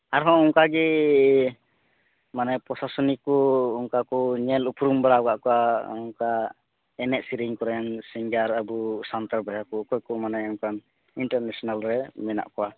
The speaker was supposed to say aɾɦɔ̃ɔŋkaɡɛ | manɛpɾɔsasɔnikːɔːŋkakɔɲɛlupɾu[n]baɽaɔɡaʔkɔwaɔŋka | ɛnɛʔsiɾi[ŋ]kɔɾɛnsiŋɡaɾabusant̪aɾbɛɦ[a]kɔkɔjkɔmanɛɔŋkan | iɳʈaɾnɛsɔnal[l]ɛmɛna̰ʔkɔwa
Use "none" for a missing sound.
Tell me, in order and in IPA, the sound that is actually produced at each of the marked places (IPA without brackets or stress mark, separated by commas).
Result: m, ŋ, a, ɾ